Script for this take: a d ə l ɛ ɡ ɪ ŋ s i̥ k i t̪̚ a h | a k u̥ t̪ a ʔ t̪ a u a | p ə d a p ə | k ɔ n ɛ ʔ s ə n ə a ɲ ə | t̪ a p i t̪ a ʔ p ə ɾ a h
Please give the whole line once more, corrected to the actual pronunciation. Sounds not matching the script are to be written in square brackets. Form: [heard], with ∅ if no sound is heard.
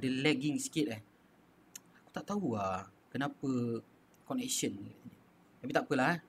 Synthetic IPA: a d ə l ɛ ɡ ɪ ŋ s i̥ k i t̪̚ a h | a k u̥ t̪ a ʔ t̪ a u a | [k] ə [n] a p ə | k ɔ n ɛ [k] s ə n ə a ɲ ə | t̪ a p i t̪ a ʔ p ə [l] a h